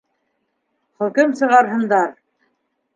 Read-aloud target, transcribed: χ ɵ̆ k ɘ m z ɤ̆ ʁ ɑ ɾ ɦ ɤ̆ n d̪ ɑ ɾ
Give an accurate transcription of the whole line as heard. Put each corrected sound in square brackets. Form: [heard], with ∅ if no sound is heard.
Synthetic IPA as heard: χ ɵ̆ k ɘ m [s] ɤ̆ ʁ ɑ ɾ ɦ ɤ̆ n d̪ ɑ ɾ

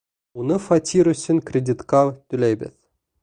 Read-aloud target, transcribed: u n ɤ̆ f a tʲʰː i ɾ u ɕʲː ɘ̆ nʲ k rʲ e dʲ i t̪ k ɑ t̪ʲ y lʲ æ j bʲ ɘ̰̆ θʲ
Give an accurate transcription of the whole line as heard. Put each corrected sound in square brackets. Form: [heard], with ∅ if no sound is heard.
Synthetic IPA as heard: u n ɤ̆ f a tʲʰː i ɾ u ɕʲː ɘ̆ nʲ k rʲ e dʲ i t̪ k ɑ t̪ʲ y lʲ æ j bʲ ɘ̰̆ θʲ

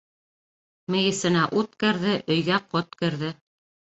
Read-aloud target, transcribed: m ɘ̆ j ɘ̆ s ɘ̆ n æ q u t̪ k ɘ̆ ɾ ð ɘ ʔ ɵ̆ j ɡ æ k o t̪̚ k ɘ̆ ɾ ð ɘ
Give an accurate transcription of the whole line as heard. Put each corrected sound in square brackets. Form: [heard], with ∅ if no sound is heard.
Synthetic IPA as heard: m ɘ̆ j ɘ̆ s ɘ̆ n æ [ʔ] u t̪ k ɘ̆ ɾ ð ɘ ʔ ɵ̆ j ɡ æ [q] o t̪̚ k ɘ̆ ɾ ð ɘ

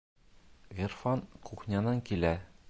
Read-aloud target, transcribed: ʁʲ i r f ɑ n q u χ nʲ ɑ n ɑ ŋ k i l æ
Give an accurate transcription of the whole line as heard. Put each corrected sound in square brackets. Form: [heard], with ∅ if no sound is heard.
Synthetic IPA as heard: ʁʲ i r f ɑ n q u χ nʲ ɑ n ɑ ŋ k i l æ

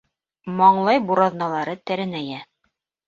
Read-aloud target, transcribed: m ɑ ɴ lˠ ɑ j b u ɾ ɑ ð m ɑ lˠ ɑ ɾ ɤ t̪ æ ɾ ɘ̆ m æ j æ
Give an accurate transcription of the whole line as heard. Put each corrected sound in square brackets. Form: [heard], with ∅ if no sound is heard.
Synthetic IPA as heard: m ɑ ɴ lˠ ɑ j b u ɾ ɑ ð [n] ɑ lˠ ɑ ɾ ɤ t̪ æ ɾ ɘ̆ [n] æ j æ

